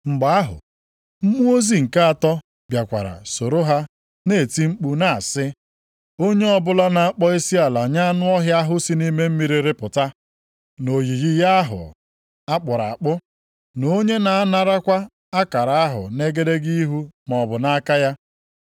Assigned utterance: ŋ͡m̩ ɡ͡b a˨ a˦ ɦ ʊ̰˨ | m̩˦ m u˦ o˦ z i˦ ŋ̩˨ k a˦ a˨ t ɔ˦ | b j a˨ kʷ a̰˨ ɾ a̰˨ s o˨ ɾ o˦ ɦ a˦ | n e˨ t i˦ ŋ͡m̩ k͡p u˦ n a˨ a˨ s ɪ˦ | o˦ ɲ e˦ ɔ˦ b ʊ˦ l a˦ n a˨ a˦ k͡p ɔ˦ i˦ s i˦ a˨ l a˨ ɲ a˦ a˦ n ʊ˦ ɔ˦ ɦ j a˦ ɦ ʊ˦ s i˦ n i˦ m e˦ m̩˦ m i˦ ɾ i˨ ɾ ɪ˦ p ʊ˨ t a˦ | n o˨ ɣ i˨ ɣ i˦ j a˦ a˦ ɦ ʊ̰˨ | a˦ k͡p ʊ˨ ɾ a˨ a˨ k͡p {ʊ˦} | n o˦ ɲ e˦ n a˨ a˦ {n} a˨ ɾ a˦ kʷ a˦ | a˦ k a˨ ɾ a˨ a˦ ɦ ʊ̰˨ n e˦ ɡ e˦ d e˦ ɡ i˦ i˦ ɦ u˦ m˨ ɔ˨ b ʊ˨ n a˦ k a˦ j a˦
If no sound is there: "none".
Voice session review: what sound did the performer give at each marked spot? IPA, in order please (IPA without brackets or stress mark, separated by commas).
ʊ˦, n